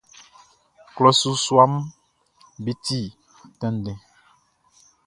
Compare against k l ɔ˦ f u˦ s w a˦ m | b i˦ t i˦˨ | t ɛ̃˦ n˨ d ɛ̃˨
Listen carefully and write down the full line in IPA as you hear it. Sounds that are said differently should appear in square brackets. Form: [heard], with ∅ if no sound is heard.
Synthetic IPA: k l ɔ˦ [s] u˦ s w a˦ m | b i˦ t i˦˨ | t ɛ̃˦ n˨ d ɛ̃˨